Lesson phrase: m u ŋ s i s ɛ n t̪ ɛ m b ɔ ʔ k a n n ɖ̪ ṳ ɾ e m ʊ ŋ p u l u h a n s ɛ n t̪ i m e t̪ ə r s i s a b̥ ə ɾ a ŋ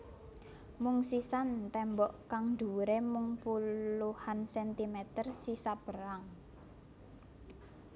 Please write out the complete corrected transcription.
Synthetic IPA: m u ŋ s i s a n t̪ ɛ m b ɔ ʔ k a ŋ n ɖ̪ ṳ ɾ e m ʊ ŋ p u l u h a n s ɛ n t̪ i m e t̪ ə r s i s a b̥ ə ɾ a ŋ